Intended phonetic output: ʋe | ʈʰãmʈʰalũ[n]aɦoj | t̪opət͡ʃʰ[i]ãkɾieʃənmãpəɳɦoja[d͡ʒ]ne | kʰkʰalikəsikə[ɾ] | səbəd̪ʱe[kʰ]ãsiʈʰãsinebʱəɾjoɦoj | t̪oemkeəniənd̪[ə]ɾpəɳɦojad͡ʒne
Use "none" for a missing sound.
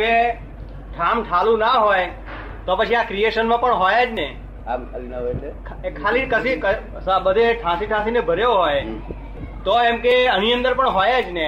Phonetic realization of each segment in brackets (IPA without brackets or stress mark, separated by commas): n, i, d͡ʒ, none, ʈʰ, ə